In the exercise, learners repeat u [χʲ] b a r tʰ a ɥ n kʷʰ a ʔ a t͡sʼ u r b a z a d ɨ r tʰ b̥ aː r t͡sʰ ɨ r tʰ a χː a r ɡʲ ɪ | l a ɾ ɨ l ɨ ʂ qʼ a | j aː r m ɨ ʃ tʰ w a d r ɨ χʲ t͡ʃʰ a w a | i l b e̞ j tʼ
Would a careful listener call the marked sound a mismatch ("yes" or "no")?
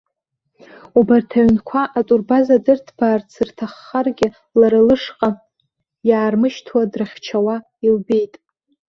yes